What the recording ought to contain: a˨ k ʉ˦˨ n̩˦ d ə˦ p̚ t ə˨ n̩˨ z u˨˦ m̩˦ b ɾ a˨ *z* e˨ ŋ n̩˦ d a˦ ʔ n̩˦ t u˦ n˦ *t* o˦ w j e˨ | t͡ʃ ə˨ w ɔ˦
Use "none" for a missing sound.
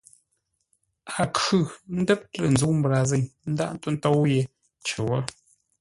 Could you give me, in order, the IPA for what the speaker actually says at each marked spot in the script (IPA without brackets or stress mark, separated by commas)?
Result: z, t